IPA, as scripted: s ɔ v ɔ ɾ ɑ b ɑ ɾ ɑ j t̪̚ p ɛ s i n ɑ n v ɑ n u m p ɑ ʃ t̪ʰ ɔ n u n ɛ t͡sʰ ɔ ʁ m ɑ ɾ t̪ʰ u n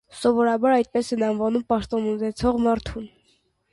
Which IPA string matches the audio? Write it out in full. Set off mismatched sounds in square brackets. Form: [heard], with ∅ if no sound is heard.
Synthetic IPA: s ɔ v ɔ ɾ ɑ b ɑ ɾ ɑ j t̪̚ p ɛ s [ɛ] n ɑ n v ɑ n u m p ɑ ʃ [t̪] ɔ n u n ɛ t͡sʰ ɔ ʁ m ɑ ɾ t̪ʰ u n